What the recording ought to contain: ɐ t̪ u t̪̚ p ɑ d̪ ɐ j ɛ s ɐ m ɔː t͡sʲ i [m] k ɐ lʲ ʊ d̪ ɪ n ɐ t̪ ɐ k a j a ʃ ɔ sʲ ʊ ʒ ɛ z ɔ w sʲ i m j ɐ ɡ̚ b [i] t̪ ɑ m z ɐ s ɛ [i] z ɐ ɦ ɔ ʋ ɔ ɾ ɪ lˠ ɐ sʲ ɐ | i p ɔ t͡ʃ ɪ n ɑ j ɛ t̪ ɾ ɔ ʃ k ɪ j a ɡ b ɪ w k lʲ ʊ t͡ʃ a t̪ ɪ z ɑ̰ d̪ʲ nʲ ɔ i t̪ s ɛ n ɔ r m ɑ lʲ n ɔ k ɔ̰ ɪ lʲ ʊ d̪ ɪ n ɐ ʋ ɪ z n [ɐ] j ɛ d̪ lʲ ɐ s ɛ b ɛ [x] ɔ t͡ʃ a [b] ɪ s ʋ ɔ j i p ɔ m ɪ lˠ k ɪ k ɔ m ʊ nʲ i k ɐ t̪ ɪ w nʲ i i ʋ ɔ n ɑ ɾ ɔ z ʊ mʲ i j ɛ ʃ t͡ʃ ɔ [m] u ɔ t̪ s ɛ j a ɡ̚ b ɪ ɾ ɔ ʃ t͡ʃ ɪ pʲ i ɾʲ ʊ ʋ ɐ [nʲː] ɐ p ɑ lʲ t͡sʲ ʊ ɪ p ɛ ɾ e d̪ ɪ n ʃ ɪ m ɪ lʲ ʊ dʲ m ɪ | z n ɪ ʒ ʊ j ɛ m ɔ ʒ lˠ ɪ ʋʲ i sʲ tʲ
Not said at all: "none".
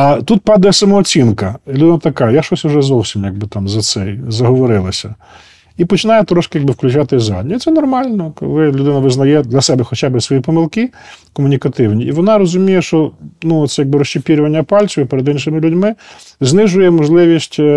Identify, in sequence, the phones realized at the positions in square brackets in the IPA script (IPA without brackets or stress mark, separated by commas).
n, ɪ, j, ɐ, x, b, n, nʲː